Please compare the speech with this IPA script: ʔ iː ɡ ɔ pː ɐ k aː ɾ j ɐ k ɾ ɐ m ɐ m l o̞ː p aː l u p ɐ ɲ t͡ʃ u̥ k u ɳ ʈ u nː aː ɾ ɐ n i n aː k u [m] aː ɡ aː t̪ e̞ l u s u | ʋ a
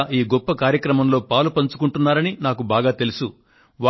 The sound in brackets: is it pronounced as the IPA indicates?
no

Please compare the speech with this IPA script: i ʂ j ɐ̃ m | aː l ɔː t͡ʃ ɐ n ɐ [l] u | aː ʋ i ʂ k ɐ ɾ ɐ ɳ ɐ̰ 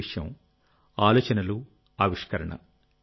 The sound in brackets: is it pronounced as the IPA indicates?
yes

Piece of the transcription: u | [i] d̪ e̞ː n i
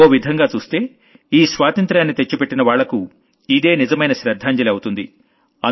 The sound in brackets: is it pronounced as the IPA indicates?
yes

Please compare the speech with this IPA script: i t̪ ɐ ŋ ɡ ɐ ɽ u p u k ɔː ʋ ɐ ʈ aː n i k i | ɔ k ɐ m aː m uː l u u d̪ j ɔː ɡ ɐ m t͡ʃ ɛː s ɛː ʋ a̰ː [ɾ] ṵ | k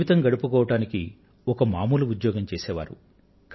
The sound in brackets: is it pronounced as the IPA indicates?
yes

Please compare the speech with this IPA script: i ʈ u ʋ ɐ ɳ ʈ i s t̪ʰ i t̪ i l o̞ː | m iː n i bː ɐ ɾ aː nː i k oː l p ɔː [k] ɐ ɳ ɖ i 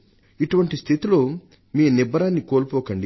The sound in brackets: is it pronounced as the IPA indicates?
yes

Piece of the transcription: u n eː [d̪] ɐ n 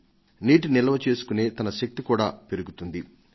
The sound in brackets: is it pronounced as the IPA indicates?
no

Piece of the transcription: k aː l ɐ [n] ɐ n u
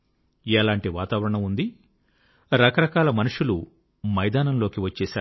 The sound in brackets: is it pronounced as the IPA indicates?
no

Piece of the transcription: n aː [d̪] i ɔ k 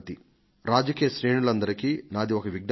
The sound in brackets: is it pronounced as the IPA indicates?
yes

